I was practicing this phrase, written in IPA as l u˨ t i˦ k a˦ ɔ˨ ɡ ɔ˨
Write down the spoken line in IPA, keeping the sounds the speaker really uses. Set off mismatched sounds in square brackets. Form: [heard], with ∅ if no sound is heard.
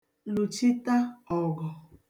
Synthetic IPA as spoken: l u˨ [t͡ʃ] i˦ [t] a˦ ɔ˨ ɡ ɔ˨